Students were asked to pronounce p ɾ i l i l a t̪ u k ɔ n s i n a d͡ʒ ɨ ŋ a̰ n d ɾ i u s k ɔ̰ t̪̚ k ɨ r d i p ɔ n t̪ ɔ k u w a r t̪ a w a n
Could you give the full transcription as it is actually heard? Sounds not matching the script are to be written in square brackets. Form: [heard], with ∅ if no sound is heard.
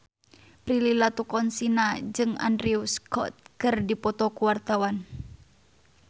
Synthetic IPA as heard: p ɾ i l i l a t̪ u k ɔ n s i n a d͡ʒ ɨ ŋ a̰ n d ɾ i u s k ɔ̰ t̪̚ k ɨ r d i p ɔ [∅] t̪ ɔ k u w a r t̪ a w a n